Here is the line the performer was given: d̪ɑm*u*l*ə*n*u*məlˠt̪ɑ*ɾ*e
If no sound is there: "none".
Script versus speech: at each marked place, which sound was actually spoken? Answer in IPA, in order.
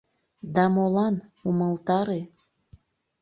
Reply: o, ɑ, u, ɾ

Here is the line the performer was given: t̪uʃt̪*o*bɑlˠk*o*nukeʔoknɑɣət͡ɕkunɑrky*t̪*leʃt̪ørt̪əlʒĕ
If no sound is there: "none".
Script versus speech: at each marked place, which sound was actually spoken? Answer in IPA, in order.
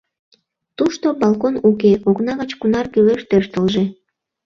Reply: o, o, none

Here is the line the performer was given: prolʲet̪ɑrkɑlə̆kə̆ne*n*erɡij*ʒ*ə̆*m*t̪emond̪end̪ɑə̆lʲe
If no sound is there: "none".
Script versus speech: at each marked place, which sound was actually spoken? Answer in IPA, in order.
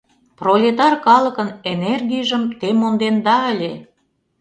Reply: n, ʒ, m

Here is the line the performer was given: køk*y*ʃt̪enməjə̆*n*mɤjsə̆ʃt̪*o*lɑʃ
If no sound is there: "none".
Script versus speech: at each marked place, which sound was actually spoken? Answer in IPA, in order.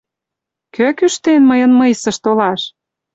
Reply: y, n, o

